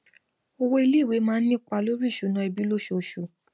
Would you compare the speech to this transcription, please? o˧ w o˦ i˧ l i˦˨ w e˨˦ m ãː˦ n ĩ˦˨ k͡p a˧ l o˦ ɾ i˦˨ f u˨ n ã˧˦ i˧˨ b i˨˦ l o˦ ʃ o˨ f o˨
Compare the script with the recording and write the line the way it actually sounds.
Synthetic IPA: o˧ w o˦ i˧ l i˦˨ w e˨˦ m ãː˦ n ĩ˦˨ k͡p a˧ l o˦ ɾ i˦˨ ʃ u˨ n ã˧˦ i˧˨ b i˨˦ l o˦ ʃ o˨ ʃ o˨